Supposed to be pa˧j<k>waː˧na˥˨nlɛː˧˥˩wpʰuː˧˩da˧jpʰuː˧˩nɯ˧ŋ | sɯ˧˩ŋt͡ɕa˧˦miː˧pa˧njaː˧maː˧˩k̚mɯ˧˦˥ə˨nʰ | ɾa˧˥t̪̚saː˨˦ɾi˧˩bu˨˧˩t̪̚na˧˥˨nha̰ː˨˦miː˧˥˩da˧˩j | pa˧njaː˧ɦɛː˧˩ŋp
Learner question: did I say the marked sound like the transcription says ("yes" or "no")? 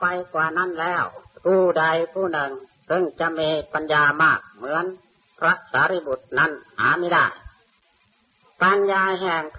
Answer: yes